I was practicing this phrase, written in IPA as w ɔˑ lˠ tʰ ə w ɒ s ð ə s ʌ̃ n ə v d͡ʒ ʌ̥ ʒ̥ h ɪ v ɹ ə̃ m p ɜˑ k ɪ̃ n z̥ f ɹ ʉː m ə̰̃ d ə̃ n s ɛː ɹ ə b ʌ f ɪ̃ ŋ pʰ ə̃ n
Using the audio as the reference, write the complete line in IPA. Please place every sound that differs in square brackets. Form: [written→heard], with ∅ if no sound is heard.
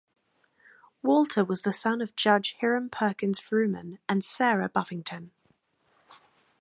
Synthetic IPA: w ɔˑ lˠ tʰ ə w ɒ [s→z] ð ə s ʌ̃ n ə v d͡ʒ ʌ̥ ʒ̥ h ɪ [v→∅] ɹ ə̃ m [p→pʰ] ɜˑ k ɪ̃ n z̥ f ɹ ʉː m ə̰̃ [d→n] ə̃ n s ɛː ɹ ə b ʌ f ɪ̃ ŋ [pʰ→tʰ] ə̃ n